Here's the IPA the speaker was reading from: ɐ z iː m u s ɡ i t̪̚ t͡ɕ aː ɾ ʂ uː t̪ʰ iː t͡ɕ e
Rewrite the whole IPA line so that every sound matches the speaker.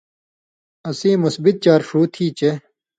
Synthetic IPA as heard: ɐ s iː m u s b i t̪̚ t͡ɕ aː ɾ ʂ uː t̪ʰ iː t͡ɕ e